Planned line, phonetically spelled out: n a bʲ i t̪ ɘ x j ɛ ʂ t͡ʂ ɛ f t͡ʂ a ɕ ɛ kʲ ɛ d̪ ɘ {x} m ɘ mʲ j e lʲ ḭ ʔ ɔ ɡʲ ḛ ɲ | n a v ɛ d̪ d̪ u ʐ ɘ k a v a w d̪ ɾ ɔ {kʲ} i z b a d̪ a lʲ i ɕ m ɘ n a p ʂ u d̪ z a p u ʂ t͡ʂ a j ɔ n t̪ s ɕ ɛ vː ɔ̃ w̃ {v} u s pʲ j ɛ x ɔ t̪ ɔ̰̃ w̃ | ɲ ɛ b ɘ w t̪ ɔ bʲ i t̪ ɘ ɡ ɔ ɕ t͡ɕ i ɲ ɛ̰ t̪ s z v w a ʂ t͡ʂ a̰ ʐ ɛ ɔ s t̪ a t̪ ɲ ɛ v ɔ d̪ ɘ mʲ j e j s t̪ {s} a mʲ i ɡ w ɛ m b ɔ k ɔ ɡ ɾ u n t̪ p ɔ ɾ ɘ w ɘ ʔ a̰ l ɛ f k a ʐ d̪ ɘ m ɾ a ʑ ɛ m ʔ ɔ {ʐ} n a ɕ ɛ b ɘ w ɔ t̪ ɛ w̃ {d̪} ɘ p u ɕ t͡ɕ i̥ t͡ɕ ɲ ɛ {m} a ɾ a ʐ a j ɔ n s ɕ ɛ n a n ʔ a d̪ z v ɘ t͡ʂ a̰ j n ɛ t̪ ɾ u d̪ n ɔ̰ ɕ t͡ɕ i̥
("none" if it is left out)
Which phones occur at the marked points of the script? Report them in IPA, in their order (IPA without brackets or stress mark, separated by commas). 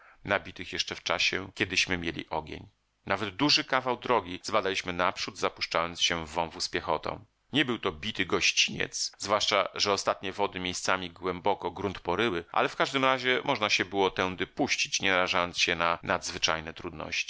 ɕ, ɡʲ, v, s, ʐ, d̪, n